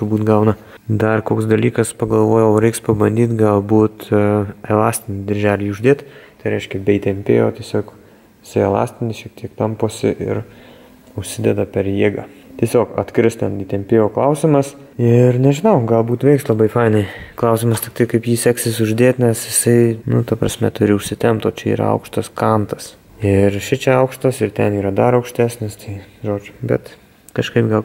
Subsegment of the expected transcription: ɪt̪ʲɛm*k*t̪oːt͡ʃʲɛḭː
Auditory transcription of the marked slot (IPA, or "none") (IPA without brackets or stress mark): p